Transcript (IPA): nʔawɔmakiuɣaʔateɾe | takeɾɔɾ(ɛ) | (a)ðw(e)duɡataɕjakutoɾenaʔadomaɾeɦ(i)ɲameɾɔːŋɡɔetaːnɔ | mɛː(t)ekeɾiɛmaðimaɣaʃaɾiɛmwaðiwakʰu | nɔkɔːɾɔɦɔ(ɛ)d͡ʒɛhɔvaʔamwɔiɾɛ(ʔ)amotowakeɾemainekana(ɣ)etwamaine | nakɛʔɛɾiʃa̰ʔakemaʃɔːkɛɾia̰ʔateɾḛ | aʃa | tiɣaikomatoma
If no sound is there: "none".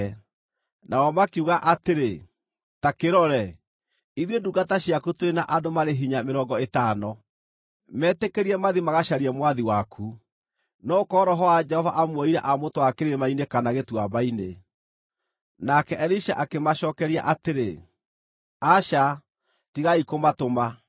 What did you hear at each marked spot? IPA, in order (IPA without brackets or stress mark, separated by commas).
ɛ, i, e, i, t, a, ʔ, ɣ